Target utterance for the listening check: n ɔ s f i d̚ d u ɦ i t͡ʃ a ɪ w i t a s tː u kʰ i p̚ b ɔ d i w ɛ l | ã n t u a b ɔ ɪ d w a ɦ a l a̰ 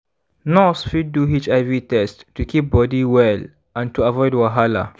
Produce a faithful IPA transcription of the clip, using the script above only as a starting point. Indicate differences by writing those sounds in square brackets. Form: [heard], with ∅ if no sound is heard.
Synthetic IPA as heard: n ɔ s f i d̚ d u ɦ i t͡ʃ a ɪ [v] i t [ɛ] s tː u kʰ i p̚ b ɔ d i w ɛ l | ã n t u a [v] ɔ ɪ d w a ɦ a l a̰